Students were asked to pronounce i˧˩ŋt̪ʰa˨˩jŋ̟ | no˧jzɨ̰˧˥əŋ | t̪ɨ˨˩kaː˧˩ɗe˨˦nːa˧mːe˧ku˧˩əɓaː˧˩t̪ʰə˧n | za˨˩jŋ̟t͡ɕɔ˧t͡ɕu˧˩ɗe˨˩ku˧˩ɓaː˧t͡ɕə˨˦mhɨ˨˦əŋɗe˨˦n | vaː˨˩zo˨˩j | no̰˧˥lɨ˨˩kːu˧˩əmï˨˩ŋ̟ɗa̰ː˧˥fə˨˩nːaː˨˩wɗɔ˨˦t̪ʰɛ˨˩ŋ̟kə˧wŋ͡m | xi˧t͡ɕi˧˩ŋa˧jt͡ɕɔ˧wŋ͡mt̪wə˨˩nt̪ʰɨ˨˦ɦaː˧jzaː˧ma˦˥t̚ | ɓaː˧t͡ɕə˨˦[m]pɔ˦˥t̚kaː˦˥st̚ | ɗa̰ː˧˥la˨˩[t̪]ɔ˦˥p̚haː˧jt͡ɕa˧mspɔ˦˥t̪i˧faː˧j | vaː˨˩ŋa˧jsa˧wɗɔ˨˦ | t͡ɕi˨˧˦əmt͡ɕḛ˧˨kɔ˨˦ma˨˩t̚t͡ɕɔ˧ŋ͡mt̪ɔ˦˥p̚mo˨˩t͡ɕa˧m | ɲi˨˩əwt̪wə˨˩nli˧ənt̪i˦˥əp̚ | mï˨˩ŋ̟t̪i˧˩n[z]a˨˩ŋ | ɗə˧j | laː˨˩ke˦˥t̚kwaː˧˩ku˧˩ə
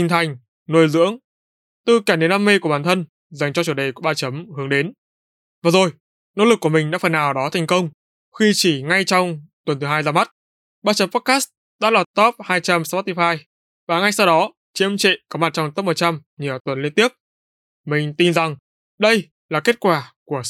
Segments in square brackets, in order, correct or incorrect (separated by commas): correct, correct, correct